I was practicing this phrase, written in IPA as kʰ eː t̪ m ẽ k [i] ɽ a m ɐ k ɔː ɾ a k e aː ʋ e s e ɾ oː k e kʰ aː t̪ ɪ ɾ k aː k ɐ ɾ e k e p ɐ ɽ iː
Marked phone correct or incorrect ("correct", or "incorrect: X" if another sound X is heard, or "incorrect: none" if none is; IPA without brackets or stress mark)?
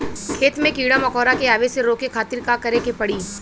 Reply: incorrect: iː